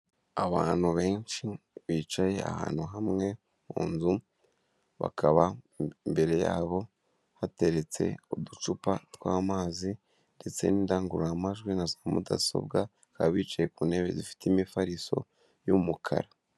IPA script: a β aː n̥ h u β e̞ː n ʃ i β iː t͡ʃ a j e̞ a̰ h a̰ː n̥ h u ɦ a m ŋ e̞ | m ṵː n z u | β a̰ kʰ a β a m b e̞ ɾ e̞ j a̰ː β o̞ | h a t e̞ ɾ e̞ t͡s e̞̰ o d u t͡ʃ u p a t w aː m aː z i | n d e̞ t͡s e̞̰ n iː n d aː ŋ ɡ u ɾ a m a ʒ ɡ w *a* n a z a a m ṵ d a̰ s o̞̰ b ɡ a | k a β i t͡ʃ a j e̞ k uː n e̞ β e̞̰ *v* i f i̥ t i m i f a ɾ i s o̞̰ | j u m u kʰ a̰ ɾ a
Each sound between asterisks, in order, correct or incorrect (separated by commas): incorrect, incorrect